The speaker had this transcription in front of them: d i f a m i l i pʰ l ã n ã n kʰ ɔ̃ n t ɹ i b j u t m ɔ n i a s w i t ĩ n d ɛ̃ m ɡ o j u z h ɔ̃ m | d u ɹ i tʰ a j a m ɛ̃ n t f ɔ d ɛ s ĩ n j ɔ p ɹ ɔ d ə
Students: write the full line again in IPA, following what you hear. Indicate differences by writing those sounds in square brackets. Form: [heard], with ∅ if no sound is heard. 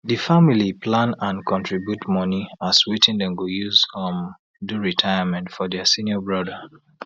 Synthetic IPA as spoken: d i f a m i l i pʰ l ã n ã n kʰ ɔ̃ n t ɹ i b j u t m ɔ n i a s w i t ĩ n d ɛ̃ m ɡ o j u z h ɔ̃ m | d u ɹ i tʰ a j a m ɛ̃ n t f ɔ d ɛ s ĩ n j ɔ [b] ɹ ɔ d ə